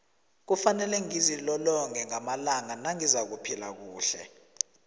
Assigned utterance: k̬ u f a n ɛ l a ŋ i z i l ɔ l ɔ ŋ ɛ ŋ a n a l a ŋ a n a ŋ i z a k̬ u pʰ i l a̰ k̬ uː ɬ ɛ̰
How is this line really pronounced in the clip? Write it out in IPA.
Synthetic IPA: k̬ u f a n ɛ l ɛ ŋ i z i l ɔ l ɔ ŋ ɛ ŋ a m a l a ŋ a n a ŋ i z a k̬ u pʰ i l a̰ k̬ uː ɬ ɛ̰